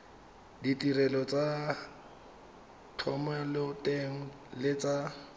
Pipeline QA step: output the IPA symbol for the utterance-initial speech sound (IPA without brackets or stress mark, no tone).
d